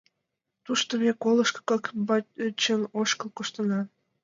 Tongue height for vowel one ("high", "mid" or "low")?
high